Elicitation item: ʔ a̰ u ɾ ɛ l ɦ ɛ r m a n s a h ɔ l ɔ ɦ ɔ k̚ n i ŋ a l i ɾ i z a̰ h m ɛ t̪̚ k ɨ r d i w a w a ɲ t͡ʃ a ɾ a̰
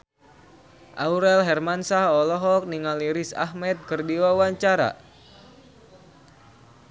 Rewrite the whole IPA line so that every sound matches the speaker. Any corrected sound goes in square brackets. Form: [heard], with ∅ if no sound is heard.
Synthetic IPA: ʔ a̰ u ɾ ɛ l ɦ ɛ r m a n s a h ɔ l ɔ ɦ ɔ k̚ n i ŋ a l i ɾ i [s] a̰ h m ɛ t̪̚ k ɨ r d i w a w a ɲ t͡ʃ a ɾ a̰